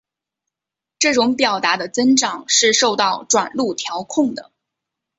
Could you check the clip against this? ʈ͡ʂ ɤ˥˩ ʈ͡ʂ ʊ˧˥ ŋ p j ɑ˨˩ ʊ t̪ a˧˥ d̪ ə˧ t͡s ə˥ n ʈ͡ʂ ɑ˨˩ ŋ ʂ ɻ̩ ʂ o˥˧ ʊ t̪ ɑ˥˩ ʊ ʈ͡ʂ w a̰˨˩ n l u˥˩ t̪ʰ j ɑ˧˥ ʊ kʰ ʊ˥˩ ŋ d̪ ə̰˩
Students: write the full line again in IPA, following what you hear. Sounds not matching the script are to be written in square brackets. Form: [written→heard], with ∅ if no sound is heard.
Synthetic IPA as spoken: ʈ͡ʂ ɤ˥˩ ʈ͡ʂ ʊ˧˥ ŋ p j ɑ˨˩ ʊ t̪ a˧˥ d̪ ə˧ t͡s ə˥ n ʈ͡ʂ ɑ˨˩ ŋ ʂ ɻ̩ ʂ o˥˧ ʊ t̪ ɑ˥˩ ʊ ʈ͡ʂ w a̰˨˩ n l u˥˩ t̪ʰ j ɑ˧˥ ʊ kʰ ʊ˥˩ ŋ d̪ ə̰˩